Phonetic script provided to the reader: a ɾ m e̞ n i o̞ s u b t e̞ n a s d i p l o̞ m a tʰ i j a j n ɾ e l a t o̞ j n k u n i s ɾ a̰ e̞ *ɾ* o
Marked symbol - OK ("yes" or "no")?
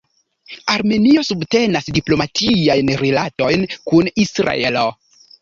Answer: no